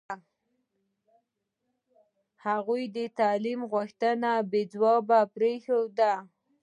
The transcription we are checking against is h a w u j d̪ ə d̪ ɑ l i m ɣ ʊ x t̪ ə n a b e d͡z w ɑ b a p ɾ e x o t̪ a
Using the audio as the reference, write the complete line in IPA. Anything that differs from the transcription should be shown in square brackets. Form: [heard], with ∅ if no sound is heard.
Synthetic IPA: h a [ɣ] u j d̪ ə [t̪] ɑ l i m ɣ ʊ x t̪ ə n a b e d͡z w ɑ b a p ɾ e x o [d̪] a